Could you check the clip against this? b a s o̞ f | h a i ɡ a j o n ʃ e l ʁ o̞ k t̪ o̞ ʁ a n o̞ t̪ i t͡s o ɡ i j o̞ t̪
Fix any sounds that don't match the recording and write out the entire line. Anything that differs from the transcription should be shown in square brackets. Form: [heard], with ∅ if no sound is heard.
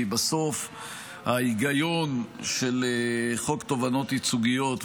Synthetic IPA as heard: b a s o̞ f | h a i ɡ a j o n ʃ e l [χ] o̞ k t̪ o̞ [v] a n o̞ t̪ i t͡s [u] ɡ i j o̞ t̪

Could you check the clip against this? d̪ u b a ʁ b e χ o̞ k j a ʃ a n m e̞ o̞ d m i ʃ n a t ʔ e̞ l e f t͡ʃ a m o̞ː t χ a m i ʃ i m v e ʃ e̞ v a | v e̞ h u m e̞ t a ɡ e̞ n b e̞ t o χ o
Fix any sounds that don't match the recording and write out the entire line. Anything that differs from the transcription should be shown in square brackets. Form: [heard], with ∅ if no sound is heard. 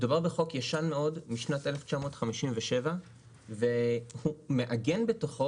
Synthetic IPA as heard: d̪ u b a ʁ b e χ o̞ k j a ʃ a n m e̞ o̞ d m i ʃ n a t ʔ e̞ l e f t͡ʃ a m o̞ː t χ a m i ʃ i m v e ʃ e̞ v a | v e̞ h u m e̞ [ʔ] a ɡ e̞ n b e̞ t o χ o

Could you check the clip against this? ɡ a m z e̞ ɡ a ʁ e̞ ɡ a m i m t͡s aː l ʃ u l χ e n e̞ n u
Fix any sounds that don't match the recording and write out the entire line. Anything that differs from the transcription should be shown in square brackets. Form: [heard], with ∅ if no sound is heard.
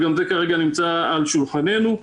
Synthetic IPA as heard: ɡ a m z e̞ [k] a ʁ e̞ ɡ a [n] i m t͡s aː l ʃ u l χ [a] n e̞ n u

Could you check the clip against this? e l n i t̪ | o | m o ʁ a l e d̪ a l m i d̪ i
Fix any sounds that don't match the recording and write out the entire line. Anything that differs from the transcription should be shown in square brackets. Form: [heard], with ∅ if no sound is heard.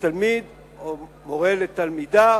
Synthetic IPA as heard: [a] l [m] i [d̪] | o | m o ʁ [e] l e [t̪] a l m i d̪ [a]

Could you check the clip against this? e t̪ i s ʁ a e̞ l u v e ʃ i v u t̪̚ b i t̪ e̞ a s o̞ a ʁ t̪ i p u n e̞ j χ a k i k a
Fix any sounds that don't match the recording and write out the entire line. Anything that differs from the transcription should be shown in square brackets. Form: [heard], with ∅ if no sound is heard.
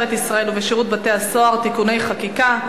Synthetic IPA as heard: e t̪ i s ʁ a e̞ l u v e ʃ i [ʁ] u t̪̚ b [a] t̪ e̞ a s o̞ a ʁ t̪ i [k] u n e̞ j χ a k i k a

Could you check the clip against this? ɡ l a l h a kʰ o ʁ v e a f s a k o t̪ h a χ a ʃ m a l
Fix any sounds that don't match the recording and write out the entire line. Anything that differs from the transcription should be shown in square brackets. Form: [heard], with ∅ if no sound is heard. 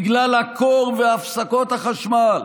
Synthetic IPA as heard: ɡ l a l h a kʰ o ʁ v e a f s a k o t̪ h a χ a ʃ m a l

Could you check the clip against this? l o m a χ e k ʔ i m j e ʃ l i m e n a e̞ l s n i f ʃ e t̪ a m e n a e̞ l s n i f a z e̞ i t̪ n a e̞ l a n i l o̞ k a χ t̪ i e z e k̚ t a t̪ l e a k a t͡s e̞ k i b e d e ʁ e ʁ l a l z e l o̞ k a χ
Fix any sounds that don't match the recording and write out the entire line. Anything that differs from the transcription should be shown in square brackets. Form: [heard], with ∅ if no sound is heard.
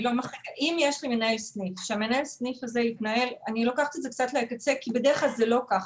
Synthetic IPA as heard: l o m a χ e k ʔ i m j e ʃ l i m e n a e̞ l s n i f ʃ e [∅] a m e n a e̞ l s n i f a z e̞ i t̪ n a e̞ l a n i l o̞ k a χ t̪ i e z e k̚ [t͡s] a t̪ l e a k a t͡s e̞ k i b e d e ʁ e [χ] l a l z e l o̞ k a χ

